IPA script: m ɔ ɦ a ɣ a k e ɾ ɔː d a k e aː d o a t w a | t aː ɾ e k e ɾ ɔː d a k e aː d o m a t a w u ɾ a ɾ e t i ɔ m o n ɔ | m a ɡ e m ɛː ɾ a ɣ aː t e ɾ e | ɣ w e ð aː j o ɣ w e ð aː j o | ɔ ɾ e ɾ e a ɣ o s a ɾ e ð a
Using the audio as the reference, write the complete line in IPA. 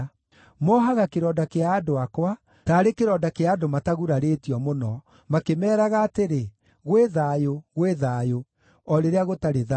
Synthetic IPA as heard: m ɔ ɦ a ɣ a k e ɾ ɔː d a k e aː d o a k w a | t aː ɾ e k e ɾ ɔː d a k e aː d o m a t a ɣ u ɾ a ɾ e t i ɔ m o n ɔ | m a k e m ɛː ɾ a ɣ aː t e ɾ e | ɣ w e ð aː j o ɣ w e ð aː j o | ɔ ɾ e ɾ e a ɣ o t a ɾ e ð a